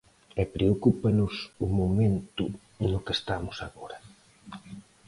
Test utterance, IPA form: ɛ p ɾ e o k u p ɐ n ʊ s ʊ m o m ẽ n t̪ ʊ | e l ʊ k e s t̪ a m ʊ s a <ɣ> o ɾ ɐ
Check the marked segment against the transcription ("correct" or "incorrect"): correct